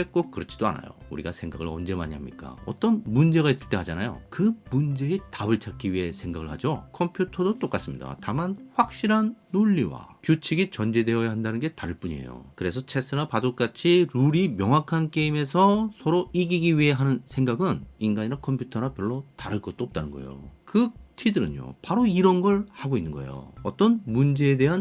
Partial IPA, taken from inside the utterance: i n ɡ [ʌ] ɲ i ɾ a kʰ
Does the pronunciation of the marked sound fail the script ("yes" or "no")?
yes